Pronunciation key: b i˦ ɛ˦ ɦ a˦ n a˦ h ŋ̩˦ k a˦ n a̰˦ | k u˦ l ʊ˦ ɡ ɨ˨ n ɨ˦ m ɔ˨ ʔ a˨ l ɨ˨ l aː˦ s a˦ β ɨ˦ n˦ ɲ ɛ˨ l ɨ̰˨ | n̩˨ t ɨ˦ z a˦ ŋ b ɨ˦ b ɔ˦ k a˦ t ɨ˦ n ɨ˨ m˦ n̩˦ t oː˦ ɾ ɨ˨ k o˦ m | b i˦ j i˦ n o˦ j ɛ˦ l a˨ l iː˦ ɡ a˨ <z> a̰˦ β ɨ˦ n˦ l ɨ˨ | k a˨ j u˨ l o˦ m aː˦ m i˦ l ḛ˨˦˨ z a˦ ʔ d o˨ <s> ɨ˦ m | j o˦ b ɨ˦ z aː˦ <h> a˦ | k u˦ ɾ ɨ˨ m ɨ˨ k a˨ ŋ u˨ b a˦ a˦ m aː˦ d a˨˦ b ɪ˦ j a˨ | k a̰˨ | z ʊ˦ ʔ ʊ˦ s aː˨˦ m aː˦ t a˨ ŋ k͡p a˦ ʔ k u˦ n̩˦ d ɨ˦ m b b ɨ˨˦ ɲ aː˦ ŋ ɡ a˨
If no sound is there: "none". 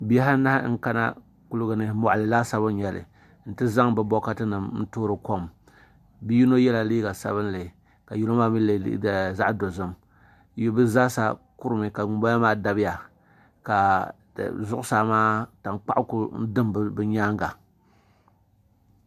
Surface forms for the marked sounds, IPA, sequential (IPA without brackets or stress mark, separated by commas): s, z, s